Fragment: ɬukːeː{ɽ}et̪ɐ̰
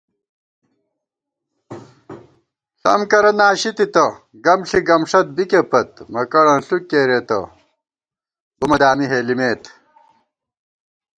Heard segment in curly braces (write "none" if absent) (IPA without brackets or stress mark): ɾ